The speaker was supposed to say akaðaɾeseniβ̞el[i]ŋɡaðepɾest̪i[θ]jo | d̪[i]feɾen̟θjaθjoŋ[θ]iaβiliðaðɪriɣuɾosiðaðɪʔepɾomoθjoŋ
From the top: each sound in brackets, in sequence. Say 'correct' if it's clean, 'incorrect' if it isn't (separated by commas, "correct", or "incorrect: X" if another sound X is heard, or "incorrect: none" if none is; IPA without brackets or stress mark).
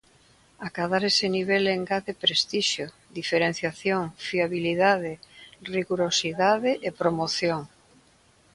incorrect: e, incorrect: ʃ, correct, incorrect: f